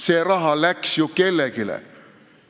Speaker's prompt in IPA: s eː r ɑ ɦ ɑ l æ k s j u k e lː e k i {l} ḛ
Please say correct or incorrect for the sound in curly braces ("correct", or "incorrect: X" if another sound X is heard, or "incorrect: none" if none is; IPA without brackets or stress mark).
correct